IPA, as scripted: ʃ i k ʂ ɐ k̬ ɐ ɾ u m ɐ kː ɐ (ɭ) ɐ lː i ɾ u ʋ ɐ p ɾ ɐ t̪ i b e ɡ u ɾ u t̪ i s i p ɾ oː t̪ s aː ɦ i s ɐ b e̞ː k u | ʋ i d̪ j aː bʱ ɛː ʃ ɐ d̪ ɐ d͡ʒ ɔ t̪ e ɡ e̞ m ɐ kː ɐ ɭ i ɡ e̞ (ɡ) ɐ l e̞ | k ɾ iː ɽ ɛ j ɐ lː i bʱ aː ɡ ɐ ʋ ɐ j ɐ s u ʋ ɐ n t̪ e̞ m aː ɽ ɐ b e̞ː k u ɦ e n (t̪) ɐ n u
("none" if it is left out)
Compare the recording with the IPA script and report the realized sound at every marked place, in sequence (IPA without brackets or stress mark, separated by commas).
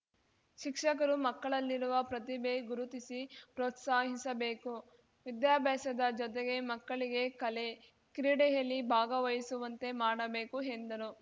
ɭ, k, d̪